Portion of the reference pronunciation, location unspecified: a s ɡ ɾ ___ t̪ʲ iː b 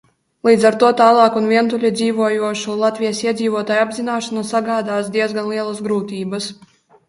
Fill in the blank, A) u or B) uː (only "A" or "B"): B